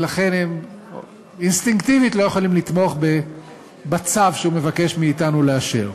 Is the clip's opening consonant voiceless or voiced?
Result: voiced